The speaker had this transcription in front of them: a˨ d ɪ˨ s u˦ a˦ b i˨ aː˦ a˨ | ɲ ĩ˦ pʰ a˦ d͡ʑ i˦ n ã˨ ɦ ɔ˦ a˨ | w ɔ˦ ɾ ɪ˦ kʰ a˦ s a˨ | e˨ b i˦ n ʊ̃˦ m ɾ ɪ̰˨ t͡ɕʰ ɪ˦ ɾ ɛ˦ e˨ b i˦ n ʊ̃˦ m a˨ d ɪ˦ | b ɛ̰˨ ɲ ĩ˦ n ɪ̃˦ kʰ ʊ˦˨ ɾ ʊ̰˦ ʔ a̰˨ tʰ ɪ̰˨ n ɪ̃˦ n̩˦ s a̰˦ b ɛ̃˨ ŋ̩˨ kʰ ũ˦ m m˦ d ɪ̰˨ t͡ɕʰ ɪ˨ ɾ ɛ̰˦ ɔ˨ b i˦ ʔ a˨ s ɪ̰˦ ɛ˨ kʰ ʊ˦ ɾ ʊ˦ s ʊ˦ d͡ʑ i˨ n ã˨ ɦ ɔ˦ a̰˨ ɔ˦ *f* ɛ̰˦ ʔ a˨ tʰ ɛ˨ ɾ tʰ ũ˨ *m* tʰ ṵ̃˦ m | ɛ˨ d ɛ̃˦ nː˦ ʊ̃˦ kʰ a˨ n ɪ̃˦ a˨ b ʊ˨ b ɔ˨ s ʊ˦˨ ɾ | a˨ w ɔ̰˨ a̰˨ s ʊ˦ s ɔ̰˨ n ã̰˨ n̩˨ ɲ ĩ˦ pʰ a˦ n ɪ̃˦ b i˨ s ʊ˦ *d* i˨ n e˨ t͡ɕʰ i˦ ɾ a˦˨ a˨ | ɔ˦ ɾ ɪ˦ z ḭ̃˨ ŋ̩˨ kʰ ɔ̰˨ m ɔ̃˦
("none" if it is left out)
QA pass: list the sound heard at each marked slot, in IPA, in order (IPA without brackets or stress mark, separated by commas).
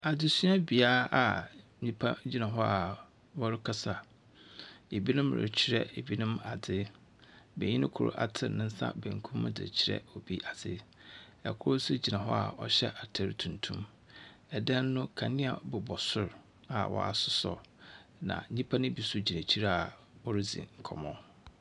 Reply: ɕ, n, d͡ʑ